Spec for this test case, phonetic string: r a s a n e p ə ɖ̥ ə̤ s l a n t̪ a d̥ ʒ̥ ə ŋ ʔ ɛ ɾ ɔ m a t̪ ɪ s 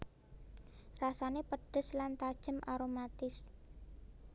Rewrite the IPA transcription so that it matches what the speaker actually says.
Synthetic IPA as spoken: r a s a n e p ə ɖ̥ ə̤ s l a n t̪ a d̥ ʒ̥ ə m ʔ a ɾ o m a t̪ ɪ s